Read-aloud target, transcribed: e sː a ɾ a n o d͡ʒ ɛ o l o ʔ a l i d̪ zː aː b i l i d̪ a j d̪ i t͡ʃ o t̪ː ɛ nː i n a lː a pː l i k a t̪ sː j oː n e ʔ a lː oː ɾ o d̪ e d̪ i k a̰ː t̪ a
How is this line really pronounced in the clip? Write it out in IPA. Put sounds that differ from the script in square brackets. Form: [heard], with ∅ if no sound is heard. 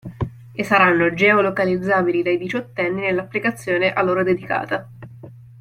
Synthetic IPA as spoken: e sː a ɾ a [nː] o d͡ʒ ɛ o l o [k] a l i d̪ zː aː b i l i d̪ a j d̪ i t͡ʃ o t̪ː ɛ nː i n [e] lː a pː l i k a t̪ sː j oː n e ʔ a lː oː ɾ o d̪ e d̪ i k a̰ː t̪ a